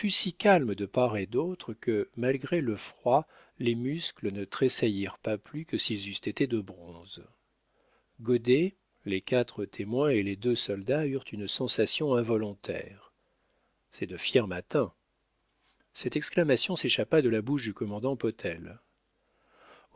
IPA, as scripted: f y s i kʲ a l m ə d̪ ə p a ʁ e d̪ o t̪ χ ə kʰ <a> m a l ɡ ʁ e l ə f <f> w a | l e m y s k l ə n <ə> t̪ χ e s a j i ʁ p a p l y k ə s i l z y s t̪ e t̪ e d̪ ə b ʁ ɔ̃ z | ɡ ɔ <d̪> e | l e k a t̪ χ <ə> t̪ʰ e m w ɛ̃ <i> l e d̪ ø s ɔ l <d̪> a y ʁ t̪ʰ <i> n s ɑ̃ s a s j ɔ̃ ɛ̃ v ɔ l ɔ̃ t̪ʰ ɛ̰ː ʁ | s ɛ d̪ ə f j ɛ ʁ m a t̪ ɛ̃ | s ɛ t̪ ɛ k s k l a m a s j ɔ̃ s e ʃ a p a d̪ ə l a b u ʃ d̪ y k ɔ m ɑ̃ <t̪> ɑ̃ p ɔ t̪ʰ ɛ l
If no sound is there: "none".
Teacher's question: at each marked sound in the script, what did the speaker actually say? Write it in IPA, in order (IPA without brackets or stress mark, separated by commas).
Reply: ə, χ, ə, d̪, ə, e, d̪, y, d̪